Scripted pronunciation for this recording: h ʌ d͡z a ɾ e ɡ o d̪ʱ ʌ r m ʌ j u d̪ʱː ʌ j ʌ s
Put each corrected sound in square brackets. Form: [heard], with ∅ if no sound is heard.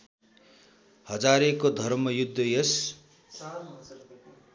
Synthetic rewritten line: h ʌ d͡z a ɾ e [k] o d̪ʱ ʌ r m ʌ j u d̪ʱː ʌ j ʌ s

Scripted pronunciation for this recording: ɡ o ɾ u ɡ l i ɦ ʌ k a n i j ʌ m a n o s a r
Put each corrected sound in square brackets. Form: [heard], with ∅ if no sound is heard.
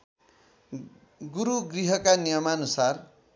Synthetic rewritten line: ɡ [u] ɾ u ɡ [r] i ɦ ʌ k a n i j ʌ m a n [u] s a r

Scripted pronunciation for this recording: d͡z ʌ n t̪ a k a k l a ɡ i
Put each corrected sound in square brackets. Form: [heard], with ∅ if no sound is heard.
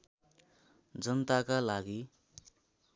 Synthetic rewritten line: d͡z ʌ n t̪ a k a [∅] l a ɡ i

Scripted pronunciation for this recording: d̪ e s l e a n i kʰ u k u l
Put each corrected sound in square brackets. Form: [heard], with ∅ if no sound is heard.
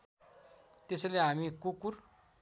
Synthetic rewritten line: [t̪] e s l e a [m] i [k] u k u [ɾ]

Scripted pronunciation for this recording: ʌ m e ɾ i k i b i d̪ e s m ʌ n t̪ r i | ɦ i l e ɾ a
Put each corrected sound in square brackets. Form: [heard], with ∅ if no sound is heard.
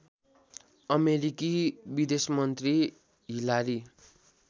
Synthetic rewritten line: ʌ m e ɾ i k i b i d̪ e s m ʌ n t̪ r i | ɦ i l [a] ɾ [i]

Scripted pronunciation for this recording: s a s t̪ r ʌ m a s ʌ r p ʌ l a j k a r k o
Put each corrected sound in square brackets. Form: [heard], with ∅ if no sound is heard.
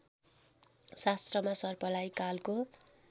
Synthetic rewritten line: s a s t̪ r ʌ m a s ʌ r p ʌ l a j k a [l] k o

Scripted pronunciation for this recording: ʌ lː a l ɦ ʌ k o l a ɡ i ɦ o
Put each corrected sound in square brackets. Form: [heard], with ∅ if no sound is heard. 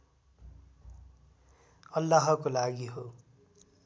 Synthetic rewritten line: ʌ lː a [∅] ɦ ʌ k o l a ɡ i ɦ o

